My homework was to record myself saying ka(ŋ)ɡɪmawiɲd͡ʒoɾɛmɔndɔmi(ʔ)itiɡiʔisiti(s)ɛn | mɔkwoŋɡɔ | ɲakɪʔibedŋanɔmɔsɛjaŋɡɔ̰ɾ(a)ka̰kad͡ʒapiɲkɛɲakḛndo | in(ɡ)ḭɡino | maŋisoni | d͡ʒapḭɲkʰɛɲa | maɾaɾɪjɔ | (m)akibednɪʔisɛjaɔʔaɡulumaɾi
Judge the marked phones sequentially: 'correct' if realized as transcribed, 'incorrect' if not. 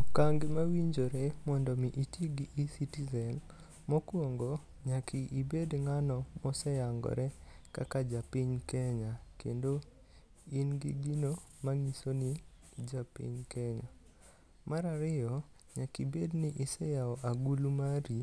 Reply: correct, correct, incorrect, incorrect, correct, incorrect

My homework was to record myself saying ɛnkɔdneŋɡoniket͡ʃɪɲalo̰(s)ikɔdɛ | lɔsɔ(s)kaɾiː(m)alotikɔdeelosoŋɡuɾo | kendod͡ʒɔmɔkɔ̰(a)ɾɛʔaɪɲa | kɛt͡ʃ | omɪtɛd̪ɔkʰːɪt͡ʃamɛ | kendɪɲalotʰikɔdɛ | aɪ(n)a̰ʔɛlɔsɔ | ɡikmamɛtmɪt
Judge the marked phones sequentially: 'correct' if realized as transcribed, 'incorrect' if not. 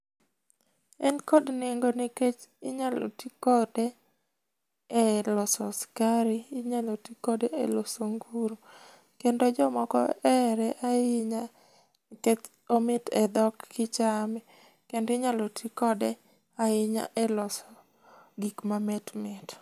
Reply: incorrect, correct, incorrect, incorrect, incorrect

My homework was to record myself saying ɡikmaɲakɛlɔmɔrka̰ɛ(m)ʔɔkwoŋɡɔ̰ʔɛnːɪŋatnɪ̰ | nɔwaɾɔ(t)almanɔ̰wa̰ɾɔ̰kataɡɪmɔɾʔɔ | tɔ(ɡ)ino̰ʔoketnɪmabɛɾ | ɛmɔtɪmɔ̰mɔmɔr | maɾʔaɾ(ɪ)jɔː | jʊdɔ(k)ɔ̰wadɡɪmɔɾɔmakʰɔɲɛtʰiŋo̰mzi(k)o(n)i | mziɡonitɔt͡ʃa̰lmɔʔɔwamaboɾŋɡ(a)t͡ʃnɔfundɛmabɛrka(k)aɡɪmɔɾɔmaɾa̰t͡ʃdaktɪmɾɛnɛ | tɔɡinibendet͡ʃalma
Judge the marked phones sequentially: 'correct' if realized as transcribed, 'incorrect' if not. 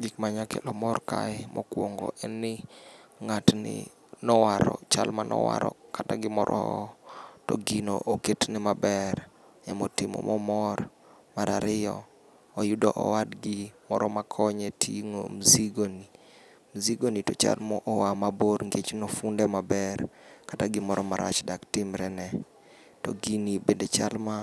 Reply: correct, incorrect, correct, correct, incorrect, incorrect, correct, incorrect, incorrect

